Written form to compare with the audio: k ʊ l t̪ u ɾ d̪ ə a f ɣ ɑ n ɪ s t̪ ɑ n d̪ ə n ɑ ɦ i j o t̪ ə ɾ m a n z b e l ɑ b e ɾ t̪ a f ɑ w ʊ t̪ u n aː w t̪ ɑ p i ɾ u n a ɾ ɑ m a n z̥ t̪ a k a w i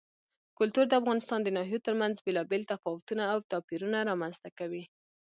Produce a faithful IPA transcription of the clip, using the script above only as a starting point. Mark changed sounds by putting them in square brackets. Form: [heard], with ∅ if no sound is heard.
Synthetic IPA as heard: k ʊ l t̪ u ɾ d̪ ə a f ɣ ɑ n ɪ s t̪ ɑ n d̪ ə n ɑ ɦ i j o t̪ ə ɾ m a n z b e l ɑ b e [l] t̪ a f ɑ w ʊ t̪ u n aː w t̪ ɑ p i ɾ u n a ɾ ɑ m a n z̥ t̪ a k a w i